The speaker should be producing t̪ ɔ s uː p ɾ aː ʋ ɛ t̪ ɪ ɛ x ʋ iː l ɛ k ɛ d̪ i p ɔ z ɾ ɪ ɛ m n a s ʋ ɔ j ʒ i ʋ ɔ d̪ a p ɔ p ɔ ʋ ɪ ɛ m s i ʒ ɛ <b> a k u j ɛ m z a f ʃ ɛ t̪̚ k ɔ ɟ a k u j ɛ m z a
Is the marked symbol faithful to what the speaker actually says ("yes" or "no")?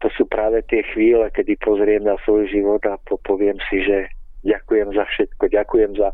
no